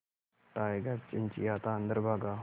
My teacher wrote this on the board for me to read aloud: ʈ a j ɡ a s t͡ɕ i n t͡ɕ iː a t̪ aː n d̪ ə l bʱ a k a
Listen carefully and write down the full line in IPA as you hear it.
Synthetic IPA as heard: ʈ a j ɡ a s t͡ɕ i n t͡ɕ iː a t̪ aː n d̪ ə ɾ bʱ a ɡ a